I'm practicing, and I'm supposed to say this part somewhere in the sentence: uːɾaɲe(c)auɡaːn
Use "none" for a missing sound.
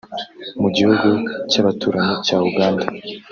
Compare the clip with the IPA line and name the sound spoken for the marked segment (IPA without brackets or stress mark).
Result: c